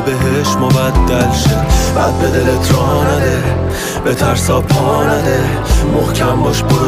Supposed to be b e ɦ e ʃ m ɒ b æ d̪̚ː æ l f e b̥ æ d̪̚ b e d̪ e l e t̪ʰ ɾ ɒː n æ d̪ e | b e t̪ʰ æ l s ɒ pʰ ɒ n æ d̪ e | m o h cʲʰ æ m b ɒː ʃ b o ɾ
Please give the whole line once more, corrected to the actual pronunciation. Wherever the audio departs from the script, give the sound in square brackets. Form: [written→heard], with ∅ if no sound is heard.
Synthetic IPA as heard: b e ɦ e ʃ m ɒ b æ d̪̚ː æ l [f→ʃ] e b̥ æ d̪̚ b e d̪ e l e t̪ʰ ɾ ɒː n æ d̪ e | b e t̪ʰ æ [l→ɾ] s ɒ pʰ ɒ n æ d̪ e | m o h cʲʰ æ m b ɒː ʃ b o ɾ